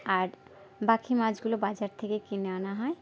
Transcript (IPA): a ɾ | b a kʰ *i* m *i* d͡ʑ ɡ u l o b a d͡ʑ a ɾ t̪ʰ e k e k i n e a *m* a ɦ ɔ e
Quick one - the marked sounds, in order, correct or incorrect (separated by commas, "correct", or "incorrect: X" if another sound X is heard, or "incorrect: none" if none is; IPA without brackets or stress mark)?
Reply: correct, incorrect: a, incorrect: n